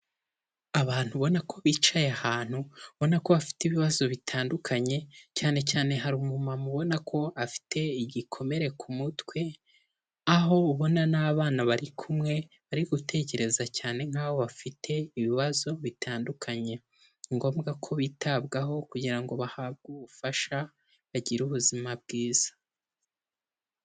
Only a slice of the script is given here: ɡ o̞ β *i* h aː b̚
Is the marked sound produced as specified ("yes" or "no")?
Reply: no